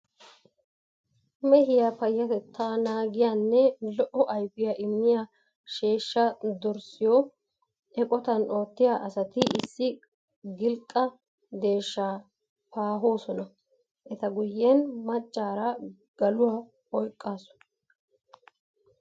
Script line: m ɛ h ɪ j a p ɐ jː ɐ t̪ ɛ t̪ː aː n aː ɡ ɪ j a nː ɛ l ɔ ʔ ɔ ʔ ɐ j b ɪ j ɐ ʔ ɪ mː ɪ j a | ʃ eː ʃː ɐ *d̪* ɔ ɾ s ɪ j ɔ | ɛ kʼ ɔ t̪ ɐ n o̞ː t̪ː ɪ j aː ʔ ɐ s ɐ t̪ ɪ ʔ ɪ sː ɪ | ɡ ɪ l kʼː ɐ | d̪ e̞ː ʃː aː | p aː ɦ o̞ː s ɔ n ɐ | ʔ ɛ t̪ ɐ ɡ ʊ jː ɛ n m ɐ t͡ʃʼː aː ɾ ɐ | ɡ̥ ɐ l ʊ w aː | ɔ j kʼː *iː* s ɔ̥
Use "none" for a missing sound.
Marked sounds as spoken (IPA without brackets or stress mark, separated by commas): d̪, aː